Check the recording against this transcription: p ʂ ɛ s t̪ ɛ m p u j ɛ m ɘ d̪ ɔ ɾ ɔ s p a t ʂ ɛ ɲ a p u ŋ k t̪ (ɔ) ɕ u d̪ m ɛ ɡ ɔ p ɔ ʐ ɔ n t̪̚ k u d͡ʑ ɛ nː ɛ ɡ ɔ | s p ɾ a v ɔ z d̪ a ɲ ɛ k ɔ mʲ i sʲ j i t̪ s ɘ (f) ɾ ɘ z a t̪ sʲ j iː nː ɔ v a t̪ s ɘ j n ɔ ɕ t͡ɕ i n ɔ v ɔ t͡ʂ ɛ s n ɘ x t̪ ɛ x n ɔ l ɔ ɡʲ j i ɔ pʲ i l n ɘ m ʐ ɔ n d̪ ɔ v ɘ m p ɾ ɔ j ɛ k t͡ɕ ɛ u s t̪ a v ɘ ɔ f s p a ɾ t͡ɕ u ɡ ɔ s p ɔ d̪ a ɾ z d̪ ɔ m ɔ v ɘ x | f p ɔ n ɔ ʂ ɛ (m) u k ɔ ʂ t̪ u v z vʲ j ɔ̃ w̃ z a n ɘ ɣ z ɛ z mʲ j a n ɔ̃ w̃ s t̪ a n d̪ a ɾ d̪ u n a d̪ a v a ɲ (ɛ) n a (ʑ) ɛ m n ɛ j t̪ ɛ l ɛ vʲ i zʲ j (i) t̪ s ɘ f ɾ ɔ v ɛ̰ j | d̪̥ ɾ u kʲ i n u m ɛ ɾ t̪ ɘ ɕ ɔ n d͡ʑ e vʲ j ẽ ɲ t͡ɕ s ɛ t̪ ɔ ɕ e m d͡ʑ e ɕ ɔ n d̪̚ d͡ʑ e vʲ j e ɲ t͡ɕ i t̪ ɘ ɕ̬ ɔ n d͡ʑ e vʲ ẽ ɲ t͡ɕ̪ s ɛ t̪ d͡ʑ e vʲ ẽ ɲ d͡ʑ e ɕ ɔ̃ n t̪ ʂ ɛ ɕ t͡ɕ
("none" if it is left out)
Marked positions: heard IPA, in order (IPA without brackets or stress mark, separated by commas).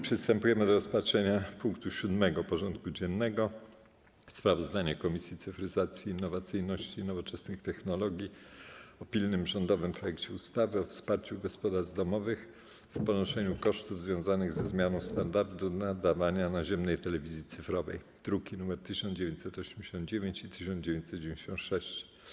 u, f, ɲ, a, ʑ, i